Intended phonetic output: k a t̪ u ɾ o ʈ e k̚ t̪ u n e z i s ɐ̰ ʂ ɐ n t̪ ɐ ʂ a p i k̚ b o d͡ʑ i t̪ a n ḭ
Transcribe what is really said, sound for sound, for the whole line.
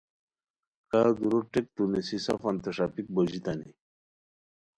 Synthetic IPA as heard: k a d̪ u ɾ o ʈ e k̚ t̪ u n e s i s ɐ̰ f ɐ n t̪ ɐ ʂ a p i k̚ b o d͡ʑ i t̪ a n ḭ